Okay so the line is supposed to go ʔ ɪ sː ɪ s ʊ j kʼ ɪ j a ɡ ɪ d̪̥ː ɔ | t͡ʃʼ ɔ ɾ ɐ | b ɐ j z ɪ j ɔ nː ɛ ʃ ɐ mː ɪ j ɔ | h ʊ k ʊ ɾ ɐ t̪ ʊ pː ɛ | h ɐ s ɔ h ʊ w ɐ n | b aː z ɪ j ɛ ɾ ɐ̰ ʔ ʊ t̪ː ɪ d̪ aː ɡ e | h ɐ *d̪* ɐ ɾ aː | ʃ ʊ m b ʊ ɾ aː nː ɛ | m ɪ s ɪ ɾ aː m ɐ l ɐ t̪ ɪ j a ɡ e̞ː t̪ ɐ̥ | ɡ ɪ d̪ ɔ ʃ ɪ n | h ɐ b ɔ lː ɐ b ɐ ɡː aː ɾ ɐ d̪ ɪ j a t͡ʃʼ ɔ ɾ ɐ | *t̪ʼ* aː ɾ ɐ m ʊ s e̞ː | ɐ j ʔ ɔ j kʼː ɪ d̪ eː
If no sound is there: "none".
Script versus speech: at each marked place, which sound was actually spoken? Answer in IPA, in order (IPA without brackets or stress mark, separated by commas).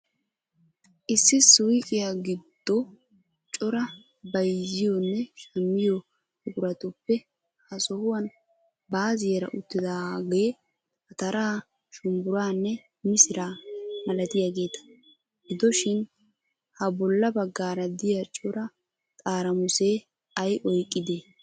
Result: t̪, t̪ʼ